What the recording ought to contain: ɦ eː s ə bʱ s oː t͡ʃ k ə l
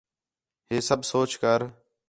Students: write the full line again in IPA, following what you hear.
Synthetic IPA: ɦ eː s ə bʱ s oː t͡ʃ k ə ɾ